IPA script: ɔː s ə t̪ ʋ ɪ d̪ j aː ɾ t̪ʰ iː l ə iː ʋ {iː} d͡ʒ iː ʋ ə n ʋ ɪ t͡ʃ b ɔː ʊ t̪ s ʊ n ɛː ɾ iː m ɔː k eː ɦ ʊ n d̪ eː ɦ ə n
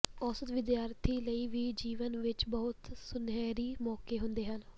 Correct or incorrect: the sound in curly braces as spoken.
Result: correct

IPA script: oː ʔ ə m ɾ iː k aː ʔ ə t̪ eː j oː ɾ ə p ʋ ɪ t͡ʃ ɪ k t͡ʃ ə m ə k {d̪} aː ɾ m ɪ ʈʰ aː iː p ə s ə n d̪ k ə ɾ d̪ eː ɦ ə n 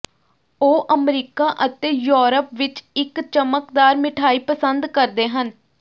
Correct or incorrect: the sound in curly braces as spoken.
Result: correct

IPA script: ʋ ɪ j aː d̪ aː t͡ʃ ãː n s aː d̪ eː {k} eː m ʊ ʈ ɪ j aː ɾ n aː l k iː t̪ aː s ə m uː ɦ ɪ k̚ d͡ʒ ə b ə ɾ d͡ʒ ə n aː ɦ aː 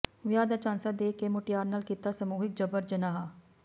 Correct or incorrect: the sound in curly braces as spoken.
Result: correct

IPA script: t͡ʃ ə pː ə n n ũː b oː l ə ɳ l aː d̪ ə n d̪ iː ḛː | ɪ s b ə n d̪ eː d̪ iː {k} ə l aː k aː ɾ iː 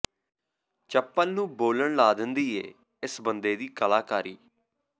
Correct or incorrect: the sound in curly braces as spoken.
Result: correct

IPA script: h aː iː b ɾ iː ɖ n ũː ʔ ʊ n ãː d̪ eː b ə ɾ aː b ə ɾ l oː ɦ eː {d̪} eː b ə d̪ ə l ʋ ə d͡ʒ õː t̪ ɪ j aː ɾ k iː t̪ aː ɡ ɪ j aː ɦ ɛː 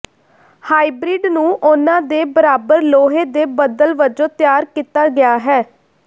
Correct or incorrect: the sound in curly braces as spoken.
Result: correct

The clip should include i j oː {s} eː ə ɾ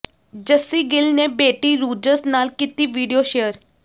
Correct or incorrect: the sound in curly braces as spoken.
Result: incorrect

